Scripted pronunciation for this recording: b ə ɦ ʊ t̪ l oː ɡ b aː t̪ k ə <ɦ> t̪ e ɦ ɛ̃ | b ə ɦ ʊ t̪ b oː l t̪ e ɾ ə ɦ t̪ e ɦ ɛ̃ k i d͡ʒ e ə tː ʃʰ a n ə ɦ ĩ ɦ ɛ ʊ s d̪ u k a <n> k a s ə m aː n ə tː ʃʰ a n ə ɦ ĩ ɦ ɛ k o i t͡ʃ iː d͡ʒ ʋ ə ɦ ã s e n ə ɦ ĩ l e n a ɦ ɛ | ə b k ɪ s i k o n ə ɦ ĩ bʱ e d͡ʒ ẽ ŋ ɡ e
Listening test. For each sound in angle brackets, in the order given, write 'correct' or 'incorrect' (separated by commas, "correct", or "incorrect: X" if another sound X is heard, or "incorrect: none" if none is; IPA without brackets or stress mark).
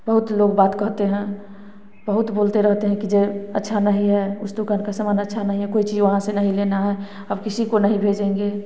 correct, correct